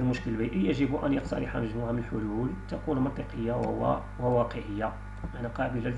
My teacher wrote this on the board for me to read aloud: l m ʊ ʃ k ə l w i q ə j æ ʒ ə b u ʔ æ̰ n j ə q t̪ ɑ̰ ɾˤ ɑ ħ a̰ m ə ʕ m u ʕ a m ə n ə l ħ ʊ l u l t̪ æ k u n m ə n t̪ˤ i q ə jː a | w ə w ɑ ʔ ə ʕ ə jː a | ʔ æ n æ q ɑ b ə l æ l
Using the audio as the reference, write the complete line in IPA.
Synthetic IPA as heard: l m ʊ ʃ k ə l b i ʔ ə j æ ʒ ə b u ʔ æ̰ n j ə q t̪ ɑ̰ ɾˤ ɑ ħ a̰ m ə ʒ m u ʕ a m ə n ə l ħ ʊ l u l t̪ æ k u n m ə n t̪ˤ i q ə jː a | w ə w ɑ q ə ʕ ə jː a | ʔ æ n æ q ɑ b ə l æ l